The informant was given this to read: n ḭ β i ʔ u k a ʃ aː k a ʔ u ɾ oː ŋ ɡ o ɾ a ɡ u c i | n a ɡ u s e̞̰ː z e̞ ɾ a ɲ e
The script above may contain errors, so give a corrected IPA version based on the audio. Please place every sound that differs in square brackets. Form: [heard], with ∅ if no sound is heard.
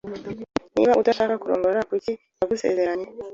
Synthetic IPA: n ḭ β [a] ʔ u [t] a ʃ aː k a [k] u ɾ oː ŋ ɡ o ɾ a [k] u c i | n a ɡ u s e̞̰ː z e̞ ɾ a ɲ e